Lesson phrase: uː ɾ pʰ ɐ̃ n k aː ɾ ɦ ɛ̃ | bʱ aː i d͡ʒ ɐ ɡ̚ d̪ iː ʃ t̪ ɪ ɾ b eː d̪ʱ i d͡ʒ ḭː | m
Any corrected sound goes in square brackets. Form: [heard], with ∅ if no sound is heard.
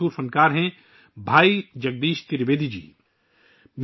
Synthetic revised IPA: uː ɾ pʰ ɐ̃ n k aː ɾ ɦ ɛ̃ | bʱ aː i d͡ʒ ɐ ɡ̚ d̪ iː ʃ t̪ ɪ ɾ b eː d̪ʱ i d͡ʒ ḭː | m